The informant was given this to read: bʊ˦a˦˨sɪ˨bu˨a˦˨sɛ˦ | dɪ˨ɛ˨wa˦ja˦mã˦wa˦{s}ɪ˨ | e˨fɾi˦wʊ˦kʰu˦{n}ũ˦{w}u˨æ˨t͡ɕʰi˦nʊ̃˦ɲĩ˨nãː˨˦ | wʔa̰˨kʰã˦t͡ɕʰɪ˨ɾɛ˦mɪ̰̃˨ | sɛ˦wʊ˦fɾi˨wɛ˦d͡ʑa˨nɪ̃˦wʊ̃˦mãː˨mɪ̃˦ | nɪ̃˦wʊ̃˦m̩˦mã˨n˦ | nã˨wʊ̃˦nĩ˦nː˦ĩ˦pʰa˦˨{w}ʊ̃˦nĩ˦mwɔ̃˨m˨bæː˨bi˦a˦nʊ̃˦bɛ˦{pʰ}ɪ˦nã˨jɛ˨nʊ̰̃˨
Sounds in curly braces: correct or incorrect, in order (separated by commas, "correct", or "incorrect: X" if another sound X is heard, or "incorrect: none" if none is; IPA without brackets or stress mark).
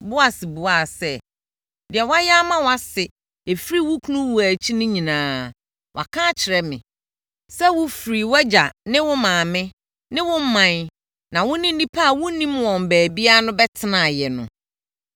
correct, correct, correct, correct, incorrect: tʰ